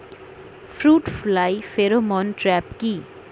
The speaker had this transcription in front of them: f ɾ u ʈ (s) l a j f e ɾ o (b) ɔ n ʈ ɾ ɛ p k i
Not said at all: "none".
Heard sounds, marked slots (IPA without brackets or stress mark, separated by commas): f, m